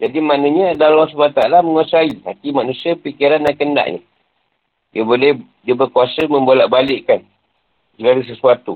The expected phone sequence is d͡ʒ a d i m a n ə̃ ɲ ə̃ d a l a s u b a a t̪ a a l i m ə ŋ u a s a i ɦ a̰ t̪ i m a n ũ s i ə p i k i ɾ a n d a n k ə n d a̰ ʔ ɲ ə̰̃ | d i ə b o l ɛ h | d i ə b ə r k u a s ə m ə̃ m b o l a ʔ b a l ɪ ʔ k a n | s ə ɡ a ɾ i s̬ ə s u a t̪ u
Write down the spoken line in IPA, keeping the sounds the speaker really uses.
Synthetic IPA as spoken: d͡ʒ a d i m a n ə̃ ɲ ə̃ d a l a s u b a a t̪ a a l a m ə ŋ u a s a i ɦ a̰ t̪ i m a n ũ s i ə p i k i ɾ a n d a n k ə n d a̰ ʔ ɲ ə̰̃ | d i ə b o l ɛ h | d i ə b ə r k u a s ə m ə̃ m b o l a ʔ b a l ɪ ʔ k a n | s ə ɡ a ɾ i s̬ ə s u a t̪ u